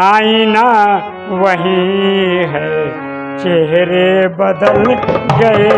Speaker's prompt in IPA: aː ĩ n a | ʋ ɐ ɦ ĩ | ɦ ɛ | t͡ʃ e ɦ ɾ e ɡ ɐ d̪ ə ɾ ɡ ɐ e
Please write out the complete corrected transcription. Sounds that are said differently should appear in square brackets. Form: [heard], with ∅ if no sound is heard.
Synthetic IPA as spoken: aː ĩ n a | ʋ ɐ ɦ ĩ | ɦ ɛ | t͡ʃ e ɦ ɾ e [b] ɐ d̪ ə [l] ɡ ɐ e